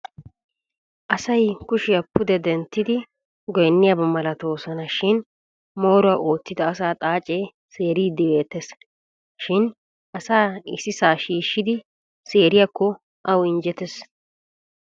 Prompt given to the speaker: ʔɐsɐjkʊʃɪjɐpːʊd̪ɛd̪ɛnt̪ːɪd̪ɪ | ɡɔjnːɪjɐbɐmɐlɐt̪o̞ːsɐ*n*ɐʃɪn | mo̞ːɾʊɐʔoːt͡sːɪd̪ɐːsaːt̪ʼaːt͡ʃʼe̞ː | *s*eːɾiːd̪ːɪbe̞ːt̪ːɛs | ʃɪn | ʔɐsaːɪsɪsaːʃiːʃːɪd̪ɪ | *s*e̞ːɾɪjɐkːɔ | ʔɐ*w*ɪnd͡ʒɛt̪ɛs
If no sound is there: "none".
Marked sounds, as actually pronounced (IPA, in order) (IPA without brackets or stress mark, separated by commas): n, s, s, w